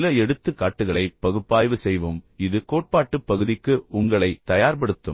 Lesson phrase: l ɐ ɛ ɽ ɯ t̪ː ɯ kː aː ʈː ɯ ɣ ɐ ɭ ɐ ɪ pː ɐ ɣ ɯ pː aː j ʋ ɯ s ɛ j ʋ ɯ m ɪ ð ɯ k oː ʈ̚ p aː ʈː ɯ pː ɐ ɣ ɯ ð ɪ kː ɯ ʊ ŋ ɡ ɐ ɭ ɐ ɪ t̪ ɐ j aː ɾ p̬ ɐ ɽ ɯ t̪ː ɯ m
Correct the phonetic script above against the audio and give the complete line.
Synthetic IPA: l ɐ ɛ ɽ ɯ t̪ː ɯ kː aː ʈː ɯ ɣ ɐ ɭ ɐ ɪ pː ɐ ɣ ɯ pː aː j ʋ ɯ s ɛ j ʋ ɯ m ɪ ð ɯ k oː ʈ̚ p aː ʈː ɯ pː ɐ ɣ ɯ ð ɪ kː ɯ ʊ ŋ ɡ ɐ ɭ ɐ ɪ t̪ ɐ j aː ɾ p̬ ɐ ɽ ɯ t̪ː ɯ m